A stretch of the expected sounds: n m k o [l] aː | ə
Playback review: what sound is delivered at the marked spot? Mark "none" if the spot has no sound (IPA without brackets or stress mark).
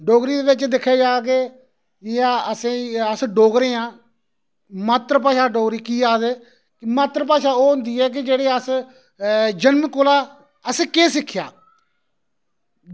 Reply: l